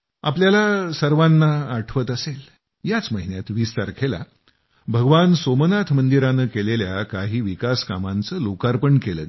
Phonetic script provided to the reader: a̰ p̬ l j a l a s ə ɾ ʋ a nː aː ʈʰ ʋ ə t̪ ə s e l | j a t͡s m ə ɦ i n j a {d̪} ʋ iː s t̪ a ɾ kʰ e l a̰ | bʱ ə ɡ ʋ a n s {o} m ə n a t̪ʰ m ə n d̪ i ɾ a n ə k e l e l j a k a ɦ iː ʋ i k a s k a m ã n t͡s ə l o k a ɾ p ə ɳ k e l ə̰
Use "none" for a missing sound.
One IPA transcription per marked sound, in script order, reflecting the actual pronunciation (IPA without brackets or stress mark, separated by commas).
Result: t̪, o